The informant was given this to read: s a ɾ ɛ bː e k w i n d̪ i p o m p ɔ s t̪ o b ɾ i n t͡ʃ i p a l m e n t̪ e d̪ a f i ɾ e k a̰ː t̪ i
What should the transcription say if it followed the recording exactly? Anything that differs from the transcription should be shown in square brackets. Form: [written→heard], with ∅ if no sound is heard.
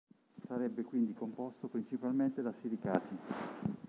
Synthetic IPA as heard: s a ɾ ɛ bː e k w i n d̪ i [p→k] o m p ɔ s t̪ o [b→p] ɾ i n t͡ʃ i p a l m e n t̪ e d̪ a [f→s] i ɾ [e→i] k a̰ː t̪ i

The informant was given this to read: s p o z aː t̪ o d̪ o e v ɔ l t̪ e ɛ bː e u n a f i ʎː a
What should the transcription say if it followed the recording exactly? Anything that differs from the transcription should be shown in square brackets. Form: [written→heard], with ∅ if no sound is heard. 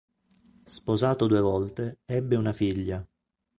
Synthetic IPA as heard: s p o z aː t̪ o d̪ [o→u] e v ɔ l t̪ e ɛ bː e u n a f i ʎː a

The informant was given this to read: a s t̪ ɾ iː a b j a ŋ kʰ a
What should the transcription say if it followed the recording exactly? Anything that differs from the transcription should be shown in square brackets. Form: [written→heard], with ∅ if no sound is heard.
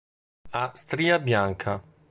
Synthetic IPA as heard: a s t̪ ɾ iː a b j a ŋ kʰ a

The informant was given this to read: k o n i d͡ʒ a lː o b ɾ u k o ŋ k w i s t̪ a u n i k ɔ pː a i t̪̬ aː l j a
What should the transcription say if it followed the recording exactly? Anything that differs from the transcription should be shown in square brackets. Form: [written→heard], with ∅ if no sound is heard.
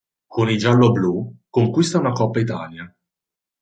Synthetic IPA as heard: k o n i d͡ʒ a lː o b [ɾ→l] u k o ŋ k w i s t̪ a u n [i→a] k ɔ pː a i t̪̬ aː l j a

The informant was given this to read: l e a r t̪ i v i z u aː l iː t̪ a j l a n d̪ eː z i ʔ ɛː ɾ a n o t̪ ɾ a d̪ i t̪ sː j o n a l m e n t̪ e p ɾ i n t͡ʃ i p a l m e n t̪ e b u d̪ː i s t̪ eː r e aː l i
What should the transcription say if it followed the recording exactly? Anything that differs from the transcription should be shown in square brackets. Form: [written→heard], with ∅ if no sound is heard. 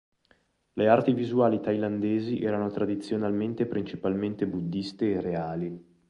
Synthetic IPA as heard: l e a r t̪ i v i z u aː l [iː→i] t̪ a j l a n d̪ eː z i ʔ ɛː ɾ a n o t̪ ɾ a d̪ i t̪ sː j o n a l m e n t̪ e p ɾ i n t͡ʃ i p a l m e n t̪ e b u d̪ː i s t̪ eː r e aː l i

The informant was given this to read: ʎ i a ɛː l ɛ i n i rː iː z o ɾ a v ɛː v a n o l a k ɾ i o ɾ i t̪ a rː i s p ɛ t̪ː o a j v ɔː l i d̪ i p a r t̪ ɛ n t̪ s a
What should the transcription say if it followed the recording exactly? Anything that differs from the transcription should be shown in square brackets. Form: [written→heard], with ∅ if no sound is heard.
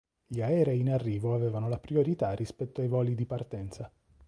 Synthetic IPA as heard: ʎ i a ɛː [l→ɾ] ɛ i n [i→a] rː iː [z→v] o [ɾ→∅] a v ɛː v a n o l a [k→p] ɾ i o ɾ i t̪ a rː i s p ɛ t̪ː o a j v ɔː l i d̪ i p a r t̪ ɛ n t̪ s a

